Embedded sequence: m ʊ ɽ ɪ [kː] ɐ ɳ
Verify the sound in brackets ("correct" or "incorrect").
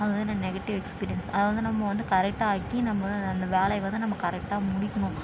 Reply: correct